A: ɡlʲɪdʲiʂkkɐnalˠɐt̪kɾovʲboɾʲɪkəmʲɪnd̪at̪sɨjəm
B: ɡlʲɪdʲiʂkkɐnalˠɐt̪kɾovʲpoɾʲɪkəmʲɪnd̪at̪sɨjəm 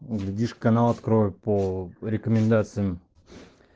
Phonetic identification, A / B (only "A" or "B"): B